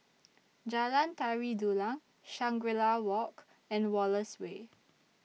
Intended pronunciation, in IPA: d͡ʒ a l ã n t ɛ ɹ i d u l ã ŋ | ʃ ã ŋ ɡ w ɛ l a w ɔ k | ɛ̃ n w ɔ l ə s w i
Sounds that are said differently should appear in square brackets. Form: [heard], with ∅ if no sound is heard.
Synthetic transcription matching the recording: d͡ʒ a l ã n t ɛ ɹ i d u l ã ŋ | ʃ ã ŋ ɡ w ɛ l a w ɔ k | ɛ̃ n w ɔ l ə s w [e]